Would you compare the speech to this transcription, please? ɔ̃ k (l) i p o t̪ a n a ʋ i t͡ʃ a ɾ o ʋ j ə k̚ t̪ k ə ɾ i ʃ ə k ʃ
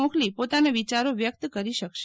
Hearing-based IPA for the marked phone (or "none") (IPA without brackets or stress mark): l